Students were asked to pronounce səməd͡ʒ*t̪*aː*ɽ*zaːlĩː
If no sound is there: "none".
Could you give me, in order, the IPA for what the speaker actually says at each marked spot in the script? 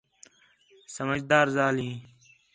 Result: d̪, ɾ

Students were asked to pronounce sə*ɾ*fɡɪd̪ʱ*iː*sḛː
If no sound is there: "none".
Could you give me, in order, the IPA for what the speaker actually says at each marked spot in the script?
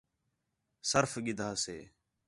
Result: ɾ, aː

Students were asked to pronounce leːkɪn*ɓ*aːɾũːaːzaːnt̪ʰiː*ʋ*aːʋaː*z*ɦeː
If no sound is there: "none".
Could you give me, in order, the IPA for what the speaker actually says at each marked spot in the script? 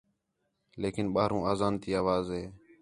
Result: ɓ, none, z

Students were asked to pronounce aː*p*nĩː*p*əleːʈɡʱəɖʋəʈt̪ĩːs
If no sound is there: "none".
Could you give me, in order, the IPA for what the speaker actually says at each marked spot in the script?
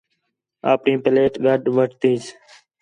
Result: p, p

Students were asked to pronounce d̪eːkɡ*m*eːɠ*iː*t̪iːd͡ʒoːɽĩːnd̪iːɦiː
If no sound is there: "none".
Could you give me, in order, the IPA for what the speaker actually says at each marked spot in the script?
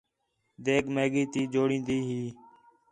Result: m, iː

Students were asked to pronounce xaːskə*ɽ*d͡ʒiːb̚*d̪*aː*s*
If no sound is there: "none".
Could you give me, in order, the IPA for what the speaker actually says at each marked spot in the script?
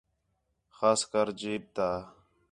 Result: ɾ, t̪, none

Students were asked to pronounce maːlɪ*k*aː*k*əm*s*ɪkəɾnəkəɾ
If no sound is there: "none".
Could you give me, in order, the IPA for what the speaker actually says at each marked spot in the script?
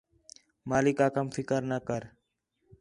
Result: k, k, f

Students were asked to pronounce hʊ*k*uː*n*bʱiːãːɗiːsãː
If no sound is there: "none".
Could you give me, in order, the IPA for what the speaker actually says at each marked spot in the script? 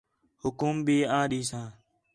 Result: k, m

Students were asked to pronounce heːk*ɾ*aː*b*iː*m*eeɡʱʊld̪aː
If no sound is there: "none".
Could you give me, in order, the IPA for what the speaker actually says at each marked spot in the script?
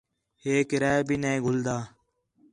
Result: ɾ, b, n

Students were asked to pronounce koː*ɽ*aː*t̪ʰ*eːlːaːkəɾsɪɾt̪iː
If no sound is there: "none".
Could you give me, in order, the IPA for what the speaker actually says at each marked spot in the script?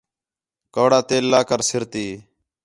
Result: ɽ, t̪

